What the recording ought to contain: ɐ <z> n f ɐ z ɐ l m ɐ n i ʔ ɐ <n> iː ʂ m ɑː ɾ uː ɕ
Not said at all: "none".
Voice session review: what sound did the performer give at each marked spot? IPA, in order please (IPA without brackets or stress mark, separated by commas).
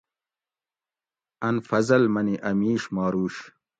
none, m